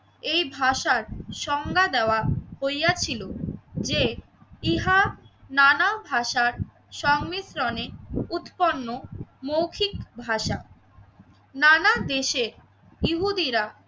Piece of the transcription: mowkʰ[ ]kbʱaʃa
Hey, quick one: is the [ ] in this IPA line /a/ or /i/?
i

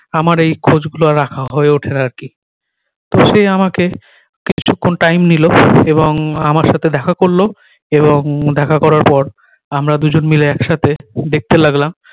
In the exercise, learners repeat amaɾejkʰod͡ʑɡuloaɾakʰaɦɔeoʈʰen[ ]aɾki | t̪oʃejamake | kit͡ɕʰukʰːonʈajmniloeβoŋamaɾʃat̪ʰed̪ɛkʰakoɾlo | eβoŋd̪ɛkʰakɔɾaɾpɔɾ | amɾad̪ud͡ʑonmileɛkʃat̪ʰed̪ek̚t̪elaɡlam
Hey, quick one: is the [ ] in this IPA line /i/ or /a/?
a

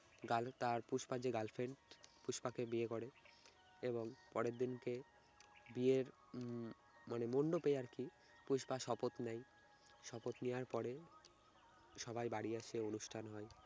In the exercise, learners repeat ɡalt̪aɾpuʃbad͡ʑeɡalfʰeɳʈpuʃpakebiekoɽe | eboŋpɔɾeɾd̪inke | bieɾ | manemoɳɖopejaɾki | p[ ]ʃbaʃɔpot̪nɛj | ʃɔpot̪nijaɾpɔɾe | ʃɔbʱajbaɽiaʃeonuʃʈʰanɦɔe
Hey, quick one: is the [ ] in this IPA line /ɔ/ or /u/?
u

